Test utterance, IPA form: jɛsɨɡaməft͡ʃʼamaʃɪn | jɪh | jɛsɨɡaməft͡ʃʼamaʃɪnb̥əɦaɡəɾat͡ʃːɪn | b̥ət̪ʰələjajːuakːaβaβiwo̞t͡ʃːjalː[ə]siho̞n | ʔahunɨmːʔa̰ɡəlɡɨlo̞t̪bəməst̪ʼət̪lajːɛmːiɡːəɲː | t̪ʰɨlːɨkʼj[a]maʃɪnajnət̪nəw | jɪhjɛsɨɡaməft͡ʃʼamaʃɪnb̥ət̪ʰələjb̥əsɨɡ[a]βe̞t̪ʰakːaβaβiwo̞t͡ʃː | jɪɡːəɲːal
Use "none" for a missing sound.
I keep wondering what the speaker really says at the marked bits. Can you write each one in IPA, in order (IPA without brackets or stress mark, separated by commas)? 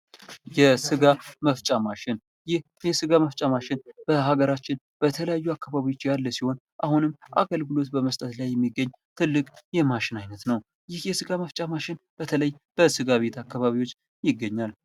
ə, ɛ, a